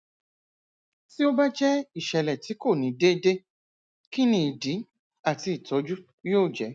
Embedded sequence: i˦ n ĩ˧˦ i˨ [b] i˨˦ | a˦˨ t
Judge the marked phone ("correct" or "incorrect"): incorrect